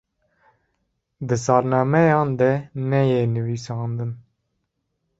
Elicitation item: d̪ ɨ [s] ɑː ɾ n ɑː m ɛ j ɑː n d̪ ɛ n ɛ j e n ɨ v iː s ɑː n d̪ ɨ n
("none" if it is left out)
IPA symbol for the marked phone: s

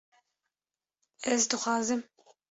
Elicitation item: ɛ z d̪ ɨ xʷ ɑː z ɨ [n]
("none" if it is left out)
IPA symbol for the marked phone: m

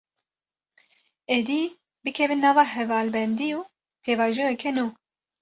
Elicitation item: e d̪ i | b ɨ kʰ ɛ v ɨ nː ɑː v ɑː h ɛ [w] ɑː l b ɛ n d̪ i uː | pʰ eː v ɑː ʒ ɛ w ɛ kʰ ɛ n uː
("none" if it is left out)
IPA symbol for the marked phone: v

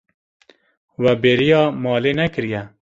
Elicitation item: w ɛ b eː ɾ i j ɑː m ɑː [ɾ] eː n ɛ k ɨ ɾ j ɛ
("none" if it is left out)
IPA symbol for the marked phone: l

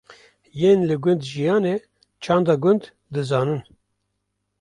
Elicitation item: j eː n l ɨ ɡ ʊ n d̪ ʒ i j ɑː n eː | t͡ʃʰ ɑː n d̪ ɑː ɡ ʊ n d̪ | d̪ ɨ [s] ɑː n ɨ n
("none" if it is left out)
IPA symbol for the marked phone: z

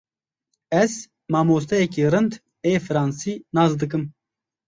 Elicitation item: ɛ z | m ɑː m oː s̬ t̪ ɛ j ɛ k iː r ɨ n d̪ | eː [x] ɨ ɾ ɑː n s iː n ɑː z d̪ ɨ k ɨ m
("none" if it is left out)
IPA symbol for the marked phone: f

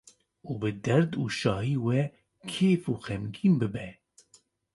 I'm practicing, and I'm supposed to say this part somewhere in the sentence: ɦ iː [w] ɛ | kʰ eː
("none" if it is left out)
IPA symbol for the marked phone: w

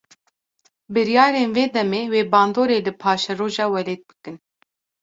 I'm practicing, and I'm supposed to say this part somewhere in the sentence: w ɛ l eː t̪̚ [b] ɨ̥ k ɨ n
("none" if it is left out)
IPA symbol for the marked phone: b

